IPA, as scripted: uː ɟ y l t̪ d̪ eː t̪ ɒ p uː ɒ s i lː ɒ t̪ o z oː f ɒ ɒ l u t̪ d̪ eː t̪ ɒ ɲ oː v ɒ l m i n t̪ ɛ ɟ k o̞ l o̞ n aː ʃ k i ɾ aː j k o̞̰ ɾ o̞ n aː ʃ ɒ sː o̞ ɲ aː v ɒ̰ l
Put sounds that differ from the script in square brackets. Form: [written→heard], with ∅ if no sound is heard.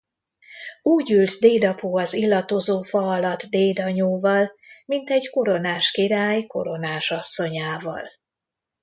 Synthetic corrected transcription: uː ɟ y l t̪ d̪ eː [t̪→d̪] ɒ p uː ɒ [s→z] i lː ɒ t̪ o z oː f ɒ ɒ l [u→ɒ] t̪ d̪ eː [t̪→d̪] ɒ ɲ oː v ɒ l m i n t̪ ɛ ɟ k o̞ [l→ɾ] o̞ n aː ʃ k i ɾ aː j k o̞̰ ɾ o̞ n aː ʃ ɒ sː o̞ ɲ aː v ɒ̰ l